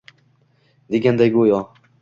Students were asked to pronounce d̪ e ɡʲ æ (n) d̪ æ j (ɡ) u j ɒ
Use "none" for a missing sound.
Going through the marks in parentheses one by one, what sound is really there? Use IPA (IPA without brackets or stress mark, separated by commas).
n, ɡ